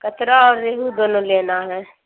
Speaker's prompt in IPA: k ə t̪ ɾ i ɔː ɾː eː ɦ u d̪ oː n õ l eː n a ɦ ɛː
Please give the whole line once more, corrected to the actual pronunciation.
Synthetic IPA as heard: k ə t̪ ɾ a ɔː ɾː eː ɦ u d̪ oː n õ l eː n a ɦ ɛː